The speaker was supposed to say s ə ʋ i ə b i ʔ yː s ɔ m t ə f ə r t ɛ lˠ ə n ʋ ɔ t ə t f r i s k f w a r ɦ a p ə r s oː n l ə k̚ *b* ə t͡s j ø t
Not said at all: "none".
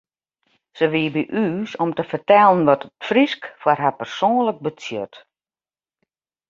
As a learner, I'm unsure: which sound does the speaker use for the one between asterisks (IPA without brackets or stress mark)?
b